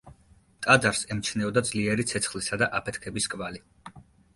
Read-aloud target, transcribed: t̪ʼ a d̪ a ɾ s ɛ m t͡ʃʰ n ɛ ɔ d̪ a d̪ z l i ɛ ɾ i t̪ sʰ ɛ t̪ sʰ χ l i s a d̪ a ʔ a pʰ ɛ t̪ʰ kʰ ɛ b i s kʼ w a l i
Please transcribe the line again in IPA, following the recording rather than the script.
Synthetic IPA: t̪ʼ a d̪ a ɾ s ɛ m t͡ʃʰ n ɛ ɔ d̪ a d̪ z l i ɛ ɾ i t̪ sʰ ɛ t̪ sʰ χ l i s a d̪ a ʔ a pʰ ɛ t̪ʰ kʰ ɛ b i s kʼ v a l i

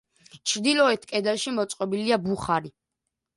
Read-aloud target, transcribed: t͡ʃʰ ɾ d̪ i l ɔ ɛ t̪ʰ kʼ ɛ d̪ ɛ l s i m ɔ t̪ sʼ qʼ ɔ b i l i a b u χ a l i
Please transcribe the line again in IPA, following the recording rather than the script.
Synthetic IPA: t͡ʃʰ ɾ d̪ i l ɔ ɛ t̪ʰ kʼ ɛ d̪ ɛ l ʃ i m ɔ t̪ sʼ qʼ ɔ b i l i a b u χ a ɾ i

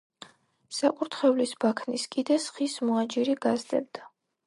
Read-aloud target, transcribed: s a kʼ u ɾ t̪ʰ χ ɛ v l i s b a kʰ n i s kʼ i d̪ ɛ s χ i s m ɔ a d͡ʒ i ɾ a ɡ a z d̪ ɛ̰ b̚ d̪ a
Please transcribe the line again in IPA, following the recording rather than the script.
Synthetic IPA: s a kʼ u ɾ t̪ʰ χ ɛ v l i s b a kʰ n i s kʼ i d̪ ɛ s χ i s m ɔ a d͡ʒ i ɾ i ɡ a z d̪ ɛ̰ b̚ d̪ a

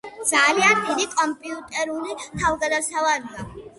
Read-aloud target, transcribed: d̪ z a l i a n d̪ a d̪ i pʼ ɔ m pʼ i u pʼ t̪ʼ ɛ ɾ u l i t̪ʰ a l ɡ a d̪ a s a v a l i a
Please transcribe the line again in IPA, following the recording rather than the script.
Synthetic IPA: d̪ z a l i a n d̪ i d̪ i kʼ ɔ m pʼ i u p t̪ʼ ɛ ɾ u l i t̪ʰ a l ɡ a d̪ a s a v a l i a

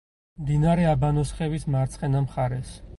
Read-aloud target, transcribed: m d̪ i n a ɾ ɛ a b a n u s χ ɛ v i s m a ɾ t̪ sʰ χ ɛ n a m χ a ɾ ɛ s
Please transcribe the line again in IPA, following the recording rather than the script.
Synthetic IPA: m d̪ i n a ɾ ɛ a b a n ɔ s χ ɛ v i s m a ɾ t̪ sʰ χ ɛ n a m χ a ɾ ɛ s

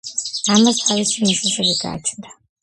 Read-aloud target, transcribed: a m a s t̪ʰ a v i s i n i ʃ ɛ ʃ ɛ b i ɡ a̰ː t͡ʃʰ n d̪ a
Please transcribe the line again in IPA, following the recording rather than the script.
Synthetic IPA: a m a s t̪ʰ a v i s i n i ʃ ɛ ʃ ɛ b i ɡ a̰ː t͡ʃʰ n d̪ a

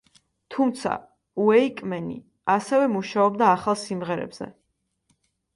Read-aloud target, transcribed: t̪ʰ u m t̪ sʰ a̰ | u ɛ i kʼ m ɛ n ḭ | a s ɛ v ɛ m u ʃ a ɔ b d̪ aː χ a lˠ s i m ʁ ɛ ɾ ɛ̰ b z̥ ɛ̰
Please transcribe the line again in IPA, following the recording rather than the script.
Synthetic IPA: t̪ʰ u m t̪ sʰ a̰ | u ɛ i kʼ m ɛ n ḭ | a s ɛ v ɛ m u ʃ a ɔ b d̪ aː χ a lˠ s i m ʁ ɛ ɾ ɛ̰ b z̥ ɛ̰

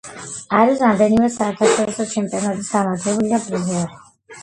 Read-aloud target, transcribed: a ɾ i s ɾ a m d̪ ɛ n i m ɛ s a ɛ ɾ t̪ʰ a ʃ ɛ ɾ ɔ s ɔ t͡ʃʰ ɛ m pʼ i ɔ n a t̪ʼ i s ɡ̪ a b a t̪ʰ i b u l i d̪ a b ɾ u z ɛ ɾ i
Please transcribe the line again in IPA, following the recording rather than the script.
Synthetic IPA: a ɾ i s ɾ a m d̪ ɛ n i m ɛ s a ɛ ɾ t̪ʰ a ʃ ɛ ɾ ɔ s ɔ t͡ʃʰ ɛ m pʼ i ɔ n a t̪ʼ i s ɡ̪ a m a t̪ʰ ɛ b u l i d̪ a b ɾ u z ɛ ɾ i

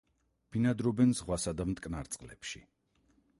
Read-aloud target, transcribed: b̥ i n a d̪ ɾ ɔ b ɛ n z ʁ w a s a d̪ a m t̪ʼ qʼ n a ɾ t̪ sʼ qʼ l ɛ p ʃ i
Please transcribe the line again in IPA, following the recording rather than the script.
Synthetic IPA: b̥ i n a d̪ ɾ ɔ b ɛ n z ʁ w a s a d̪ a m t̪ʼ kʼ n a ɾ t̪ sʼ qʼ l ɛ p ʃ i

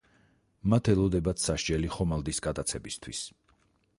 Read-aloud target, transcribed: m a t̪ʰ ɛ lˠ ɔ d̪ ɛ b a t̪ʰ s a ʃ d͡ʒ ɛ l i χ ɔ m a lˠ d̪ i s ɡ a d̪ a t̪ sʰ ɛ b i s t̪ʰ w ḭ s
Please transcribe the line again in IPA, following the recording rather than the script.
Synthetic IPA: m a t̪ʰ ɛ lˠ ɔ d̪ ɛ b a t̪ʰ s a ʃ d͡ʒ ɛ l i χ ɔ m a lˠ d̪ i s ɡ a d̪ a t̪ sʰ ɛ b i s t̪ʰ w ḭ s

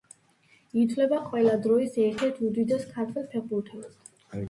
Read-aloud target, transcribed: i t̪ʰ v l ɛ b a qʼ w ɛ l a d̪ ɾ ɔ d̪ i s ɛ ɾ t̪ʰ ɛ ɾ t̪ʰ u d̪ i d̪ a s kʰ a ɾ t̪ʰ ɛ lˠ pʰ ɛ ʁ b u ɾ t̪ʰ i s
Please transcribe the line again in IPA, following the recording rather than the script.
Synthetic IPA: i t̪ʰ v l ɛ b a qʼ w ɛ l a d̪ ɾ ɔ i s ɛ ɾ t̪ʰ ɛ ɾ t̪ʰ u d̪ i d̪ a s kʰ a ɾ t̪ʰ ɛ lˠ pʰ ɛ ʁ b u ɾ t̪ʰ ɛ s

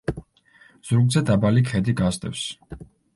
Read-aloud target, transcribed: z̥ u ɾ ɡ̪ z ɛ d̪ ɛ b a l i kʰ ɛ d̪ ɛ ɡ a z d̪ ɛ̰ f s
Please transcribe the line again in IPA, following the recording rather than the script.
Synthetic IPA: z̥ u ɾ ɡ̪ z ɛ d̪ a b a l i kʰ ɛ d̪ i ɡ a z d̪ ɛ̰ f s

